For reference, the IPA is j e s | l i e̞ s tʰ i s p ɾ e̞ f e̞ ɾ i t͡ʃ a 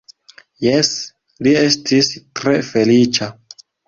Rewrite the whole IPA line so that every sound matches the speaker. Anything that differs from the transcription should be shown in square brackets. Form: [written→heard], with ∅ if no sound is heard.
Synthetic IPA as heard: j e s | l i e̞ s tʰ i s [p→t] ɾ e̞ f e̞ [ɾ→l] i t͡ʃ a